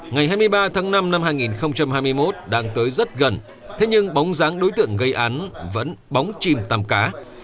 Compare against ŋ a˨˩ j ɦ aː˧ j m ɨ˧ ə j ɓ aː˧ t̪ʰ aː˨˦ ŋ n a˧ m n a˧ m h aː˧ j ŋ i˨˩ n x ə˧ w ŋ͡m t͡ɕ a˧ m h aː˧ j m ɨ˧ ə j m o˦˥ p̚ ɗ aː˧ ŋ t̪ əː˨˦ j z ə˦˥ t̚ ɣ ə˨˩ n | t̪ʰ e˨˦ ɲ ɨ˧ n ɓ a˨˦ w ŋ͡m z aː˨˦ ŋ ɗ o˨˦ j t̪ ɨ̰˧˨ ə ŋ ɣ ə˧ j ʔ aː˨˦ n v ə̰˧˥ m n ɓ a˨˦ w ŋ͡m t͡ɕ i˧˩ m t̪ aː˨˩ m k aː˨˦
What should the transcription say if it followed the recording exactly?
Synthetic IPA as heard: ŋ a˨˩ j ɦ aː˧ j m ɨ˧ ə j ɓ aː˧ t̪ʰ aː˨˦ ŋ n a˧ m n a˧ m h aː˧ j ŋ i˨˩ n x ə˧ w ŋ͡m t͡ɕ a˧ m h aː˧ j m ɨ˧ ə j m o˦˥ t̚ ɗ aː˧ ŋ t̪ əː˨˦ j z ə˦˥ t̚ ɣ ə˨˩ n | t̪ʰ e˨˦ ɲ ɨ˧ ŋ ɓ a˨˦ w ŋ͡m z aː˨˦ ŋ ɗ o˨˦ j t̪ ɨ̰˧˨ ə ŋ ɣ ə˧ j ʔ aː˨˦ n v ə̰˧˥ n ɓ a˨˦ w ŋ͡m t͡ɕ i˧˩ m t̪ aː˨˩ m k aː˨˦